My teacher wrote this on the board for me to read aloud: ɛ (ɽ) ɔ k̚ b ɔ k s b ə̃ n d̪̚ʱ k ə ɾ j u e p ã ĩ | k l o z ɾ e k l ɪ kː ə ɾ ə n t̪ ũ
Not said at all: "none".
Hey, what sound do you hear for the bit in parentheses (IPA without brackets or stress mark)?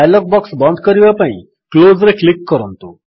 l